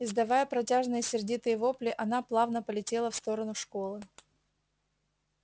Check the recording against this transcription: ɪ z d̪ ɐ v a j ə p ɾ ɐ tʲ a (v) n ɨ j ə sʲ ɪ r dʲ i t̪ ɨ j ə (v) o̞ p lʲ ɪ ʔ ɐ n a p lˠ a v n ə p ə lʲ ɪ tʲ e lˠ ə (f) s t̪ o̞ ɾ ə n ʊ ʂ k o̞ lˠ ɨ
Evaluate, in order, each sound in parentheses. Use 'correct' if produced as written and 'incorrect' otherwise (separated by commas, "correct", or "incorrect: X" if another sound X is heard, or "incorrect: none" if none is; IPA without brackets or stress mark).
incorrect: ʐ, correct, correct